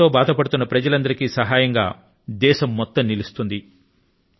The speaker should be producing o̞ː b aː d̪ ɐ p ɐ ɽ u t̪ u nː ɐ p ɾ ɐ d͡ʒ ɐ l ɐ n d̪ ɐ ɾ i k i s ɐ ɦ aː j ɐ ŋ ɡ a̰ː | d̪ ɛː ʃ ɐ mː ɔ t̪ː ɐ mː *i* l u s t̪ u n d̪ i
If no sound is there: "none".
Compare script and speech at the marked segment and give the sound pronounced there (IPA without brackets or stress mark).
i